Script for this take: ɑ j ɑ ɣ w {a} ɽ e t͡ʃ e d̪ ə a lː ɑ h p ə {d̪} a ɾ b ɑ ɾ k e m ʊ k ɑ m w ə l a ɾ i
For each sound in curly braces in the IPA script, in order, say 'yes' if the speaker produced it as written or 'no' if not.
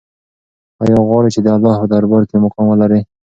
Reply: no, yes

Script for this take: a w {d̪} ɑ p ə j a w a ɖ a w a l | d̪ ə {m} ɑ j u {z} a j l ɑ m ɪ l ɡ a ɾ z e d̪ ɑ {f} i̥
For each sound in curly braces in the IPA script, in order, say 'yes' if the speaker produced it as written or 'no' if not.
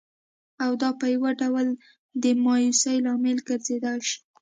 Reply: yes, yes, no, no

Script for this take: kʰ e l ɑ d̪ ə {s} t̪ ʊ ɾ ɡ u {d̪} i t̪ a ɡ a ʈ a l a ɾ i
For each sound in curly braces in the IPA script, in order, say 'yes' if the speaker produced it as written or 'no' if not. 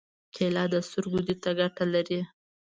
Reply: yes, yes

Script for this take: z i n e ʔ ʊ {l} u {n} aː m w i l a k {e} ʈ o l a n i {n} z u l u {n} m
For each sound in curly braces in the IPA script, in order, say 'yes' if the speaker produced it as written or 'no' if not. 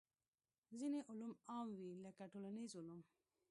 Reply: yes, no, no, no, no

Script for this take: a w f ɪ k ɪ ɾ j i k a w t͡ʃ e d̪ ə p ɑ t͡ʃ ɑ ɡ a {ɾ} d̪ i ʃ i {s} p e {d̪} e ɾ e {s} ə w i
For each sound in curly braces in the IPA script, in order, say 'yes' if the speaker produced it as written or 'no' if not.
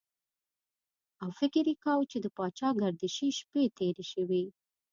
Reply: yes, no, no, no

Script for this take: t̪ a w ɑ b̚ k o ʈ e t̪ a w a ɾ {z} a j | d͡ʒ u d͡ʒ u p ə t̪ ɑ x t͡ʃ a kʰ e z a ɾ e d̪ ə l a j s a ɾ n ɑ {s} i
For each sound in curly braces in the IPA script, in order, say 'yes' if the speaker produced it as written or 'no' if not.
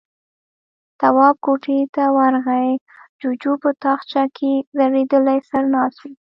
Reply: no, yes

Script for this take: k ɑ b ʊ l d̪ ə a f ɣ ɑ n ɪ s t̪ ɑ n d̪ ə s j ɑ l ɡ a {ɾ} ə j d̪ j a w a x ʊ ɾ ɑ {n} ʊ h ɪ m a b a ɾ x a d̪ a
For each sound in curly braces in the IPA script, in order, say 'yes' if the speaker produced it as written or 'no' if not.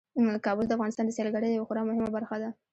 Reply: no, no

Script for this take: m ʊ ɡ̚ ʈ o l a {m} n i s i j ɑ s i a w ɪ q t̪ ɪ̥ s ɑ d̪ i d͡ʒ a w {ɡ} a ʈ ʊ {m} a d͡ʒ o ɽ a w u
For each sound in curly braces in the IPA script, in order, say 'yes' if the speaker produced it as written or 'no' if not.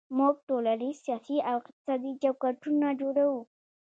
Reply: no, no, no

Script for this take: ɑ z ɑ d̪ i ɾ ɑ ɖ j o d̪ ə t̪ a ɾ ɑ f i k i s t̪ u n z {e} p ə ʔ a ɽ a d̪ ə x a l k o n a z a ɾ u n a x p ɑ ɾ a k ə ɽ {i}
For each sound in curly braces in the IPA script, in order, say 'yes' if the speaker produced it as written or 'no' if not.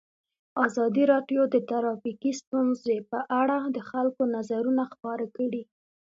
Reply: yes, yes

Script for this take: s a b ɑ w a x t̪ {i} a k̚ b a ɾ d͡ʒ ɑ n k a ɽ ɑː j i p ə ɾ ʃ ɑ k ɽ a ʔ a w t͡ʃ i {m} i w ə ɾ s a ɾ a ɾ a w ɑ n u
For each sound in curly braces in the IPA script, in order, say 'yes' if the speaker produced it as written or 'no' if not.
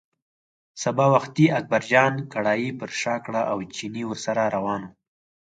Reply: yes, no

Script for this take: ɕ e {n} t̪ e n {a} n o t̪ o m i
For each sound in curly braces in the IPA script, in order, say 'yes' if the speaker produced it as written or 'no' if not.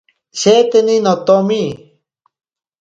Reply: no, no

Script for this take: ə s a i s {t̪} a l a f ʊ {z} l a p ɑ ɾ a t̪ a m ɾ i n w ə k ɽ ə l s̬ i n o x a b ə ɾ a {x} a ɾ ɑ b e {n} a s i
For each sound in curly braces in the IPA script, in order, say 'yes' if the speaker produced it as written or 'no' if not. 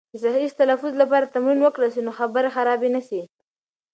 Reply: yes, yes, yes, yes

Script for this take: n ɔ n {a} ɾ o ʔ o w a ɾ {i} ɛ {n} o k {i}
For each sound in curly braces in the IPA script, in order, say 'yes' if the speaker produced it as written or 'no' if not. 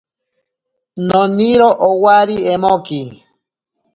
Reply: no, yes, no, yes

